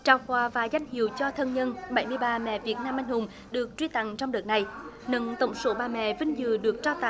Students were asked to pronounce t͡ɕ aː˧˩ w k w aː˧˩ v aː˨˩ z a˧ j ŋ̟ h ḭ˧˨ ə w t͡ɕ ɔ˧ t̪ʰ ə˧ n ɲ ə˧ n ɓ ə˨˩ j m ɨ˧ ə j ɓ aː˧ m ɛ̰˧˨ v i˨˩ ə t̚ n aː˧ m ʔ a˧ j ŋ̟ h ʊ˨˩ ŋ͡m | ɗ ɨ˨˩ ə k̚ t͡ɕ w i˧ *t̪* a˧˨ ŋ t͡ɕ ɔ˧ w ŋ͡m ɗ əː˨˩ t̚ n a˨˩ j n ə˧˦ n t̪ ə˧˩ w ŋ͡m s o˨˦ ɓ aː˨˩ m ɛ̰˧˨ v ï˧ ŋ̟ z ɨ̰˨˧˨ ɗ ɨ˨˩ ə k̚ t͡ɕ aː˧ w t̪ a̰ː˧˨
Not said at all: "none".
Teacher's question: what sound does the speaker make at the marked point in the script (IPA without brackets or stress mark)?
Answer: t̪